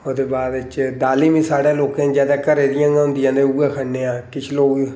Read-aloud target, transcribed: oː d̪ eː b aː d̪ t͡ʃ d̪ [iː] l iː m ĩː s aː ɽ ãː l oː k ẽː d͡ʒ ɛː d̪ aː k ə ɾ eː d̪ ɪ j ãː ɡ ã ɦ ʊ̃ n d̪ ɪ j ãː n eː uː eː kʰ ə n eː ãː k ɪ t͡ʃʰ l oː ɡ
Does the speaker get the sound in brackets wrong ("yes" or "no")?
yes